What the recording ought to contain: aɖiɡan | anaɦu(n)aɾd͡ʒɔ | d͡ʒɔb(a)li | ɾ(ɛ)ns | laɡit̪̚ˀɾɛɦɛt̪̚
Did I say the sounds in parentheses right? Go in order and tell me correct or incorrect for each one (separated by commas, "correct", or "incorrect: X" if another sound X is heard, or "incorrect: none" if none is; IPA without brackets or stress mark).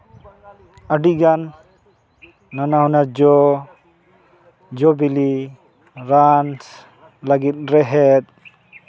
correct, incorrect: i, incorrect: a